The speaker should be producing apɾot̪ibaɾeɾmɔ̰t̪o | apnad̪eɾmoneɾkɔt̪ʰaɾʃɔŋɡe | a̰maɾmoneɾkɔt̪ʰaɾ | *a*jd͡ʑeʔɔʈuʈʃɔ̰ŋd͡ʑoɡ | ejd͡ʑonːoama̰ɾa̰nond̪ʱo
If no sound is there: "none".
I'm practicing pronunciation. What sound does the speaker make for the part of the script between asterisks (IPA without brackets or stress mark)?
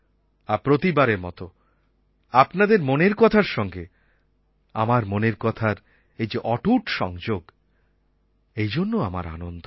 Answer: e